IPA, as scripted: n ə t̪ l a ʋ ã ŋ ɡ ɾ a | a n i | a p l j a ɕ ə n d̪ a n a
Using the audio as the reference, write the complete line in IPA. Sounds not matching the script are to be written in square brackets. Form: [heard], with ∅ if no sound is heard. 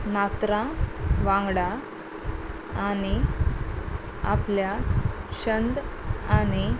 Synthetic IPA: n [a] t̪ [ɾ] a ʋ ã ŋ ɡ [ɽ] a | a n i | a p l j a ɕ ə n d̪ a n [i]